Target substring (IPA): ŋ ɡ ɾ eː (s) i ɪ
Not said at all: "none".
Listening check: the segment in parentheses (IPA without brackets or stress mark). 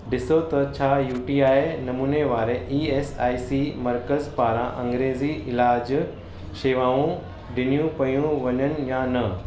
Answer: z